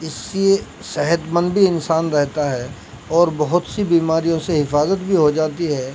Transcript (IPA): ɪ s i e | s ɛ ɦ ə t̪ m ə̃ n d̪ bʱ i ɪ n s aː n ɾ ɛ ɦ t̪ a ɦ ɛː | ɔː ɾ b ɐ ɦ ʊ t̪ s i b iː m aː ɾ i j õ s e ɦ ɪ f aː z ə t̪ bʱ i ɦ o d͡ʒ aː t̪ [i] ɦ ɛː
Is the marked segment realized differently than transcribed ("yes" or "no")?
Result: no